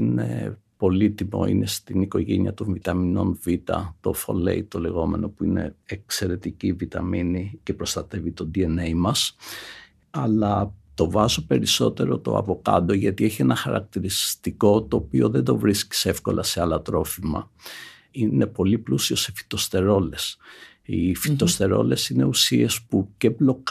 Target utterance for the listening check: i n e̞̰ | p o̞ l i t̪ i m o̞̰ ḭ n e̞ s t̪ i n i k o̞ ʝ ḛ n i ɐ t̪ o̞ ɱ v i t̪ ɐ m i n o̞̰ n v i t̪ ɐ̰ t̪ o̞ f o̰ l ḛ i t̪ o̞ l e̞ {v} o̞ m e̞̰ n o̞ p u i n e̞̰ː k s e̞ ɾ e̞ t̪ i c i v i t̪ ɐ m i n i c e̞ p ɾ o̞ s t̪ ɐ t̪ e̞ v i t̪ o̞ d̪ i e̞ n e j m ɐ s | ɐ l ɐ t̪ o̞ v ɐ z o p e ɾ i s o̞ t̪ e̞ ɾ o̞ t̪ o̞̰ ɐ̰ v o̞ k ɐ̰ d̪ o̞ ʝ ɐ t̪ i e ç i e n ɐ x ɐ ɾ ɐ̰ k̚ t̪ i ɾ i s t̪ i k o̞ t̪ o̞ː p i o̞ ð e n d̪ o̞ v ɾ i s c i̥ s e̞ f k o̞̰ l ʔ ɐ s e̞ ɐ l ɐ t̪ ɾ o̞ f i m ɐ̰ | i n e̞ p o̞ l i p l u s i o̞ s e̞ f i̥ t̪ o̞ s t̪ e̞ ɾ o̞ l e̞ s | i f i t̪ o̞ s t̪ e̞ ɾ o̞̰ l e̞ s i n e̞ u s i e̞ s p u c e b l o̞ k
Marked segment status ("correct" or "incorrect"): incorrect